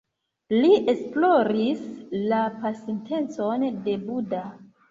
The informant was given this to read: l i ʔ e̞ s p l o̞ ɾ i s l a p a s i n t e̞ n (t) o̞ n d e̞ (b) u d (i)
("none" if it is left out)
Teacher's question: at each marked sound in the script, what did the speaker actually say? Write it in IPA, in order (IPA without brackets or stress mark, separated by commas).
t͡s, b, a